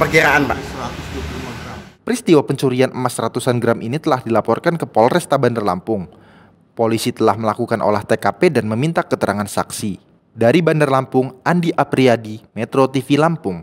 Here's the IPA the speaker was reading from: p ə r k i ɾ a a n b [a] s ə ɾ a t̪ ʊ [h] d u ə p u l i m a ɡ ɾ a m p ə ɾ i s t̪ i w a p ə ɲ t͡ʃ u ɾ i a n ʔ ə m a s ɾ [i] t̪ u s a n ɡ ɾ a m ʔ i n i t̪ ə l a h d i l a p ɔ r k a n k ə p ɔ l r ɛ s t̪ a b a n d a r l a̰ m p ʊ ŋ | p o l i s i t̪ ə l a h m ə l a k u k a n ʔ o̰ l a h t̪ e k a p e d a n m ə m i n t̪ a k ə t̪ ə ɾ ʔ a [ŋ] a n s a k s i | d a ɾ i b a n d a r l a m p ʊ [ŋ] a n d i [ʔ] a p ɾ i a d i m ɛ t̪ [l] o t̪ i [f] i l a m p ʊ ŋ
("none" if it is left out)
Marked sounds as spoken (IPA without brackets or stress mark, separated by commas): a, s, a, ŋ, ŋ, ʔ, ɾ, f